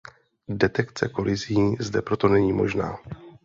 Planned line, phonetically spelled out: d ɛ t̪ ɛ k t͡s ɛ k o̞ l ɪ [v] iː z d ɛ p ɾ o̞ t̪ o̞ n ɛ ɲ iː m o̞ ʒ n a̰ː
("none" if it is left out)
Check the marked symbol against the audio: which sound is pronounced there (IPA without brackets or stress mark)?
z